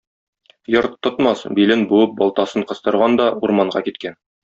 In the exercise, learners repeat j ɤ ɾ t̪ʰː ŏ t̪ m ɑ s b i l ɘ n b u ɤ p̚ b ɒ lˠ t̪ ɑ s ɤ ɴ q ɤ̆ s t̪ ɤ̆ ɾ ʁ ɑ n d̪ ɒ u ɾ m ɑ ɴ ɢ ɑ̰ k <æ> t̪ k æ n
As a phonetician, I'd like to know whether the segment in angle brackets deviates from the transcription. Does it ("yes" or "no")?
yes